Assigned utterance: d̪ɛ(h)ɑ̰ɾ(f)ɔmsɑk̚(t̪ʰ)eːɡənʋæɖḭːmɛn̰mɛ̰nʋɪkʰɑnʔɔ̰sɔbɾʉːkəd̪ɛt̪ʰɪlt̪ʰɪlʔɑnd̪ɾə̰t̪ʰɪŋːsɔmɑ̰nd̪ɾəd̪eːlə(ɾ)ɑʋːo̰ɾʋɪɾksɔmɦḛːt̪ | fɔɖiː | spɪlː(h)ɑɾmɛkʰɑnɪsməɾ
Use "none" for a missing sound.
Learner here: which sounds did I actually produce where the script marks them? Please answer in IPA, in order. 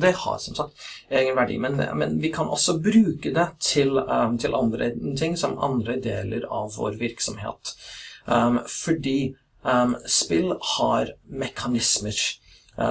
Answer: h, s, t̪, ɾ, h

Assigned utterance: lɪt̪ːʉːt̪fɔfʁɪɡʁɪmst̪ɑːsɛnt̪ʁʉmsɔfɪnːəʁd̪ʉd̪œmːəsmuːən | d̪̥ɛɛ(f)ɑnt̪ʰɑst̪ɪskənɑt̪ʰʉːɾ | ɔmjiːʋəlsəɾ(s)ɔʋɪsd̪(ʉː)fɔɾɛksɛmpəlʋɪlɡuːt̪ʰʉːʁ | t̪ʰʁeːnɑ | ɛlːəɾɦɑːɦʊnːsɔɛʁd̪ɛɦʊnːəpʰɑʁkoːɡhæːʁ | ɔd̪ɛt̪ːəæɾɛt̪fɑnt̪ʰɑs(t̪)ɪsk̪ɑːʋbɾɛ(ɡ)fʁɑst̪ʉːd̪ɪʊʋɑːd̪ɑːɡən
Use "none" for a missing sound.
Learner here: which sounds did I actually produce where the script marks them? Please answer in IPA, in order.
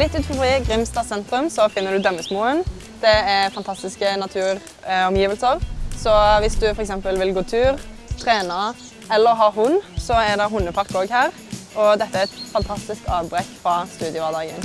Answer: f, s, ʉ, t̪, k

